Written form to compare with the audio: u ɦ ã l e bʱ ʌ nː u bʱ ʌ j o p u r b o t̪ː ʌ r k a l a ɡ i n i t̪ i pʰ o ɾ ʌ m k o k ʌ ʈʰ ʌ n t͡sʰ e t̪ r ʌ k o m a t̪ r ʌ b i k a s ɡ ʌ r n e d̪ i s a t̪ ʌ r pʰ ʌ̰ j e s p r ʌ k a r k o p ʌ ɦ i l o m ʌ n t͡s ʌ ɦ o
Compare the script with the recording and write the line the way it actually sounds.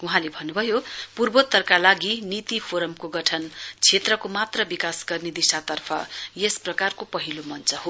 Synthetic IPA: u ɦ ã l e bʱ ʌ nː u bʱ ʌ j o p u r b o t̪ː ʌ r k a l a ɡ i n i t̪ i pʰ o ɾ ʌ m k o ɡ ʌ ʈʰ ʌ n t͡sʰ e t̪ r ʌ k o m a t̪ r ʌ b i k a s ɡ ʌ r n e d̪ i s a t̪ ʌ r pʰ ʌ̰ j e s p r ʌ k a r k o p ʌ ɦ i l o m ʌ n t͡s ʌ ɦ o